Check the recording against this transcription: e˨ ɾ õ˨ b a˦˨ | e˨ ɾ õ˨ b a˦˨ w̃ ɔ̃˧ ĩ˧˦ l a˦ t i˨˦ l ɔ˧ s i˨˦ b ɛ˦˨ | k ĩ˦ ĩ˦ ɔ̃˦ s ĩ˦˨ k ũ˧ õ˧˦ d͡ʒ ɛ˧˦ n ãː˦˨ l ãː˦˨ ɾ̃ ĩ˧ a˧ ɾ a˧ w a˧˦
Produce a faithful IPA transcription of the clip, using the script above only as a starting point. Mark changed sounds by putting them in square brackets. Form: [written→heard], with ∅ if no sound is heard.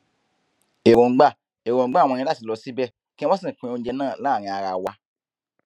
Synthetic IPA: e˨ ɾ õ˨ [b→ɡ͡b] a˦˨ | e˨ ɾ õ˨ [b→ɡ͡b] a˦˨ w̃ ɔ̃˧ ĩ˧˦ l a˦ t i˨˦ l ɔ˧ s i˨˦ b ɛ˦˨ | k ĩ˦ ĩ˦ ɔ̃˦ s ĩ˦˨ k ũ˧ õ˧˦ d͡ʒ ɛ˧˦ n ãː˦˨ l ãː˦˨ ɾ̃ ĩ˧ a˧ ɾ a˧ w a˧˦